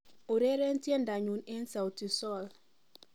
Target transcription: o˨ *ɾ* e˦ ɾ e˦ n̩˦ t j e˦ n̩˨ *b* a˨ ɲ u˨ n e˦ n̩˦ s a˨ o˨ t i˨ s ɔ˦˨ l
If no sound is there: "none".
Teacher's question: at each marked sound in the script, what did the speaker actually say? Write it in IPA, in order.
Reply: ɾ, d

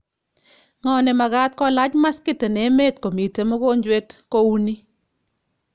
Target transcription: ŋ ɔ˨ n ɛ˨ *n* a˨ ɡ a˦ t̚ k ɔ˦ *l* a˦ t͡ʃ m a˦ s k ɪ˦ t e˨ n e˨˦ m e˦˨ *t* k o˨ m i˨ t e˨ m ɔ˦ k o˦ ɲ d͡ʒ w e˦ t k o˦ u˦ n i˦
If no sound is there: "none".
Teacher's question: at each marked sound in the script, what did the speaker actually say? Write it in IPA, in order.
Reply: m, l, t

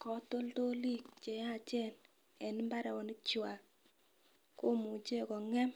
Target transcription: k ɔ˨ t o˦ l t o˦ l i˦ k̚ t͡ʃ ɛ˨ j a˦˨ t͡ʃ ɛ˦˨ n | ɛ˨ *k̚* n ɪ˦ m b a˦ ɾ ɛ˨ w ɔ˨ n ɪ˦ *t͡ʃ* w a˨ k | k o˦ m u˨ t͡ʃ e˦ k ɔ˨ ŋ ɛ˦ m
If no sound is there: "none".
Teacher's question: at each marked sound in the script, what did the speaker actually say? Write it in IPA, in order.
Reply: none, t͡ʃ

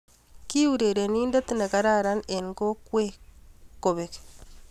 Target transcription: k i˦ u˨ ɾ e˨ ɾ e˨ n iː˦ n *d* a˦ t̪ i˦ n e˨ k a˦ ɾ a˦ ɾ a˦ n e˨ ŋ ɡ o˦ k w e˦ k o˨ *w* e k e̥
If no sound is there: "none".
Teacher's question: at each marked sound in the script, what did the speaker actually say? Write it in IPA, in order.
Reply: d, β

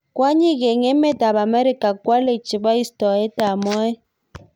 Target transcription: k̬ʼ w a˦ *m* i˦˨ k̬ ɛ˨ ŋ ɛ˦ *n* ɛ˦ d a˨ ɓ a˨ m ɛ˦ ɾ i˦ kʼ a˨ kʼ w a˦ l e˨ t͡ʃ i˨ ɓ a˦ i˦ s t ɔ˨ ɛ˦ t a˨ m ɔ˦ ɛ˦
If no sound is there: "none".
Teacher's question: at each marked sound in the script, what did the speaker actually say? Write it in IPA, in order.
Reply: ɲ, m

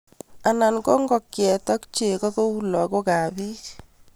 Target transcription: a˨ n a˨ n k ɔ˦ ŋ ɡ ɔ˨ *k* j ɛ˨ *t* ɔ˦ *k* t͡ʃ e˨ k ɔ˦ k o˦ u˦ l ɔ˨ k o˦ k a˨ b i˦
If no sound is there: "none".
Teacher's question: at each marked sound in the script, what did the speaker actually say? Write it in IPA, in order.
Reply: k, t, k

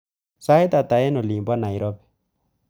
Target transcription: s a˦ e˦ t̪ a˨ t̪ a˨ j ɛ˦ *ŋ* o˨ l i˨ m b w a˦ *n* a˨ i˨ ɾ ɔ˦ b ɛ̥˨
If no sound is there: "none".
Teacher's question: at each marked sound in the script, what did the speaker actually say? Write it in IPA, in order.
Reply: n, n

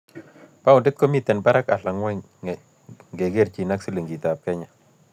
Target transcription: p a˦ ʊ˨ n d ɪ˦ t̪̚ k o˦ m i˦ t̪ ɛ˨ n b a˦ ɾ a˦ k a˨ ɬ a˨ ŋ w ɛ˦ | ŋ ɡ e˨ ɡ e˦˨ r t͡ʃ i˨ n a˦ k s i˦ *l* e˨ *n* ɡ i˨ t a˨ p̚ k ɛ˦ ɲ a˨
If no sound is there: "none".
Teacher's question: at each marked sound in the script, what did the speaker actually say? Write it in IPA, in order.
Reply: l, ŋ

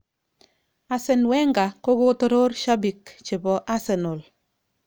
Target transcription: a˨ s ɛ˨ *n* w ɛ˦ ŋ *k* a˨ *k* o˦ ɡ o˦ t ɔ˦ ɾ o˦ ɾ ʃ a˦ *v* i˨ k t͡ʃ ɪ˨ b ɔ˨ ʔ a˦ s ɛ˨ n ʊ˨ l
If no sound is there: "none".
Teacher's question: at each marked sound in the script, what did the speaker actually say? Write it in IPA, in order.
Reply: n, ɡ, k, b

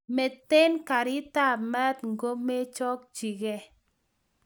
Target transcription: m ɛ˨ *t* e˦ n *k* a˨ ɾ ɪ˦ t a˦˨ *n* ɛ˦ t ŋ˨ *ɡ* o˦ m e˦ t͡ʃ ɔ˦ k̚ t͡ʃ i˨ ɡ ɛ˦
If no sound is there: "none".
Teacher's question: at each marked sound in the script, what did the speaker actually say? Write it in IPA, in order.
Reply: t, k, m, ɡ

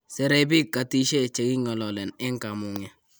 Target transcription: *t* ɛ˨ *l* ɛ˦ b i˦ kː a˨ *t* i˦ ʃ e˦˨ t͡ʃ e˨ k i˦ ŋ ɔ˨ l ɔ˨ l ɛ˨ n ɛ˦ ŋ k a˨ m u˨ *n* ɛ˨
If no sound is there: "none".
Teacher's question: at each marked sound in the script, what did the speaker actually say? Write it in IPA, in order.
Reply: s, ɾ, t, ŋ

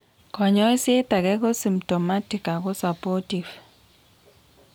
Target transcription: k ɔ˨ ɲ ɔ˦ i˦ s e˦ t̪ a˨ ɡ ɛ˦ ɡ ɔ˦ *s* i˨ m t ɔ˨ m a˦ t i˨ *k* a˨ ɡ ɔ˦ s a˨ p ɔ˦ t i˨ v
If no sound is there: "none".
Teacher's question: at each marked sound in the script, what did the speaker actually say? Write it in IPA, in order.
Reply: s, k

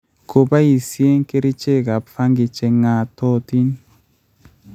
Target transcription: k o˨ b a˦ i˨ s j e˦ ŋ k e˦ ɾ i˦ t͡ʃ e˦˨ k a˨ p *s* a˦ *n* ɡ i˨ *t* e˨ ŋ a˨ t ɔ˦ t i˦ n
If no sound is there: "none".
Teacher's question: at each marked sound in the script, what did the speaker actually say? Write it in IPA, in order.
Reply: f, ŋ, t͡ʃ

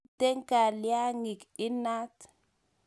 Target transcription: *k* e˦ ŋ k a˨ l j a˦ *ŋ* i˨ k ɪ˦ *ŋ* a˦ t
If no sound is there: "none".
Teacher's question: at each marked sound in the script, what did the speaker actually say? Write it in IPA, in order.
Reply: t, ŋ, n

